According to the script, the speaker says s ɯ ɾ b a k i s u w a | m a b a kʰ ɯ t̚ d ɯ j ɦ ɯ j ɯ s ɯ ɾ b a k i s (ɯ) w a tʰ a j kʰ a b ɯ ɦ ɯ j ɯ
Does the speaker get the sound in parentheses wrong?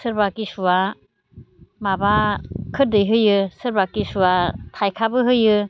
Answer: yes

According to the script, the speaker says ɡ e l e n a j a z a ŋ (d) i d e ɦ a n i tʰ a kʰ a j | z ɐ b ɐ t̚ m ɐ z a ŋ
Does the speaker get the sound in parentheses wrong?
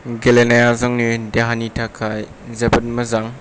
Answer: yes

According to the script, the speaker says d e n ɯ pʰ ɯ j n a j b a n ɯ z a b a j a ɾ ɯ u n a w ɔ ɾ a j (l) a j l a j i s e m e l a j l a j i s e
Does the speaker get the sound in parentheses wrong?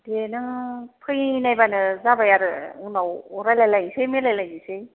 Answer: no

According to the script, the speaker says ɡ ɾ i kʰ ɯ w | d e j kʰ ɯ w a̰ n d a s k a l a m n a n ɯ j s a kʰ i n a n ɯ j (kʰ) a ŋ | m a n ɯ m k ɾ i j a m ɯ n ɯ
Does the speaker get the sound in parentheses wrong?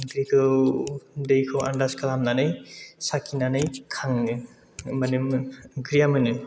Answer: no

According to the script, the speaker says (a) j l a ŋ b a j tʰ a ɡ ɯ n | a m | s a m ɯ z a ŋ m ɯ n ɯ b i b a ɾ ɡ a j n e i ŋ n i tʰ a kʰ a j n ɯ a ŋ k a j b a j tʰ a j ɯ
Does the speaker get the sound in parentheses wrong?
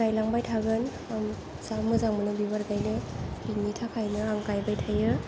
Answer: no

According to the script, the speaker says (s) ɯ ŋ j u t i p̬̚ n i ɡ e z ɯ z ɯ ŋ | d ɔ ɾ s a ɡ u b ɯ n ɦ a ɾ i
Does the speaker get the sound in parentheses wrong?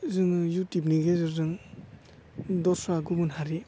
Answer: yes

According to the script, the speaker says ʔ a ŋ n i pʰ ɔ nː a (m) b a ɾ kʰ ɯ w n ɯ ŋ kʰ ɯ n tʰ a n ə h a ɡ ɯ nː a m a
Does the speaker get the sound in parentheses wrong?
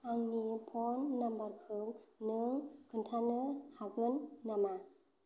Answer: no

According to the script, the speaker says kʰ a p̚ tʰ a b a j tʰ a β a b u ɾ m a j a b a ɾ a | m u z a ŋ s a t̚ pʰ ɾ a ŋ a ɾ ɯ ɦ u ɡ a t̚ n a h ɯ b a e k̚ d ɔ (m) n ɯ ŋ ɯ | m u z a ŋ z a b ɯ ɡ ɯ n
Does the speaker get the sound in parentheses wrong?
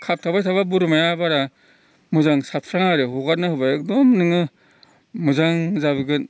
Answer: no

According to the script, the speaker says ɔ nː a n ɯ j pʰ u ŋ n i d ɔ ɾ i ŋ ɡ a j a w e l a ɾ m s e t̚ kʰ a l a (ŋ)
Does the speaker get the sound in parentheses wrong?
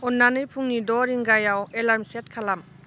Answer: yes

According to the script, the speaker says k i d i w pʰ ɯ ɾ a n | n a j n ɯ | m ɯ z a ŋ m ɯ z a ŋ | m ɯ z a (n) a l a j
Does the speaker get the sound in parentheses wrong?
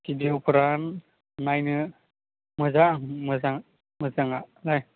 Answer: yes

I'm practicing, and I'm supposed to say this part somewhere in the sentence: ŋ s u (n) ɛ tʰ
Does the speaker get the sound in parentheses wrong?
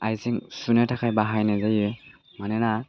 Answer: no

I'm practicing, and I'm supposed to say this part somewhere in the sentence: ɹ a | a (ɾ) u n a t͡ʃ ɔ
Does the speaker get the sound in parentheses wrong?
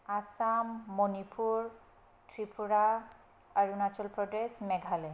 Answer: yes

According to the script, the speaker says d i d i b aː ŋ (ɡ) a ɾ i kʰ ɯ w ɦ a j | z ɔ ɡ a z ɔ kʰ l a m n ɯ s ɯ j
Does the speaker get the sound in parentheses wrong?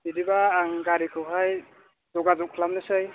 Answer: no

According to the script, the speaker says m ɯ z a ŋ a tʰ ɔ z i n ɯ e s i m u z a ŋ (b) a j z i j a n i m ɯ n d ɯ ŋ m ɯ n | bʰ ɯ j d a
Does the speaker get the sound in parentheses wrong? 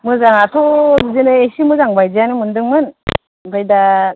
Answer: no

